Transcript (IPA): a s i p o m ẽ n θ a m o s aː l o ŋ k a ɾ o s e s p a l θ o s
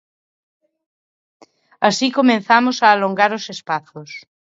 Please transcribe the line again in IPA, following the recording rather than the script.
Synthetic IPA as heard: a s i k o m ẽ n θ a m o s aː l o ŋ ɡ a ɾ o s e s p a θ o s